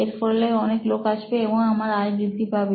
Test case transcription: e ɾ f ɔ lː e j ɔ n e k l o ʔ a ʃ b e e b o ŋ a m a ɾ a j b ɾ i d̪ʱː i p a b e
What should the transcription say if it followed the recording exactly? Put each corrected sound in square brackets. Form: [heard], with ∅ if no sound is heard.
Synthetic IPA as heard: e ɾ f ɔ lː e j ɔ n e k l o [k] a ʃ b e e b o ŋ a m a ɾ a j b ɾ i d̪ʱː i p a b e